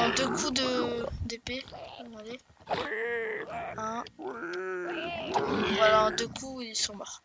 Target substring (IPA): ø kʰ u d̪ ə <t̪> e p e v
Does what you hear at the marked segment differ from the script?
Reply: yes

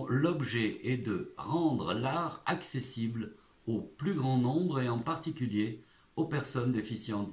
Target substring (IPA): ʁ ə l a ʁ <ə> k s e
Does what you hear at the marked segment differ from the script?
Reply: yes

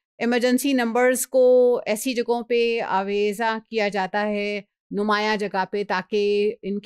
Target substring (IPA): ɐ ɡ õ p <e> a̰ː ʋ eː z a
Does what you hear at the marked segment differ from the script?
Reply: no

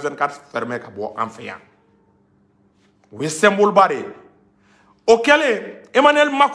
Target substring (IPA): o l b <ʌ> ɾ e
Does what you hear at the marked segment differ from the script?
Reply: yes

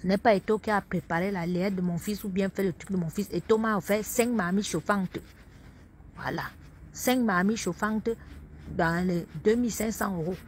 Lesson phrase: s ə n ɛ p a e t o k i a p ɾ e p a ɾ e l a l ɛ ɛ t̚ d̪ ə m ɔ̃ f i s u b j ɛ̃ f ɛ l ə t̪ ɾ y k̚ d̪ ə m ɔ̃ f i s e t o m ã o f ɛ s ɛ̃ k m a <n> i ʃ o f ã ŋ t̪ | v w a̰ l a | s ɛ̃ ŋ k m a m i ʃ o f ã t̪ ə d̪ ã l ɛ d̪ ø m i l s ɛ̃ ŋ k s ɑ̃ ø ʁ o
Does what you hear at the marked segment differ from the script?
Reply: yes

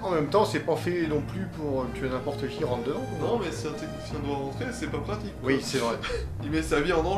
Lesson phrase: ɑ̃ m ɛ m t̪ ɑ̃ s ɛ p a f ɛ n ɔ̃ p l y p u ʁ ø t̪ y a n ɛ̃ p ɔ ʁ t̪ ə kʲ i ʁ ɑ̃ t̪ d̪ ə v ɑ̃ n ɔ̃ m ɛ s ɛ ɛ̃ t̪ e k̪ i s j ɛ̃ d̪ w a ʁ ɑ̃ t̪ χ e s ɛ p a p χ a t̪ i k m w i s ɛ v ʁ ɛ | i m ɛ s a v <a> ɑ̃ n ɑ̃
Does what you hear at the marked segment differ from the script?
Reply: yes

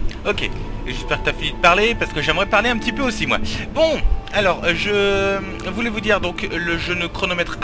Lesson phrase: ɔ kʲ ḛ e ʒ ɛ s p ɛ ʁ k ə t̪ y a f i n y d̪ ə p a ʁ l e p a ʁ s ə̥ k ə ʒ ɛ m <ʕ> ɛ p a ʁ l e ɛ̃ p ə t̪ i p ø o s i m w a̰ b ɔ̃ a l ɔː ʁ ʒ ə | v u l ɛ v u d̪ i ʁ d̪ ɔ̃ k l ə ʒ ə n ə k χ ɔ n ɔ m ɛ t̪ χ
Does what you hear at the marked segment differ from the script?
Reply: yes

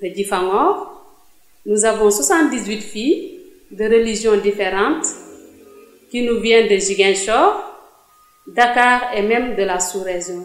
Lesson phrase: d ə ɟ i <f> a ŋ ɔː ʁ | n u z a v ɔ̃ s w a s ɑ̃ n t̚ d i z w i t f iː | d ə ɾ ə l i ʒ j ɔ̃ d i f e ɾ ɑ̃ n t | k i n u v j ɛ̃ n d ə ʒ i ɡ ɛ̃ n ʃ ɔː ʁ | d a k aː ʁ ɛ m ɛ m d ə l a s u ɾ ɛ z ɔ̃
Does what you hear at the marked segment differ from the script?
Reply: no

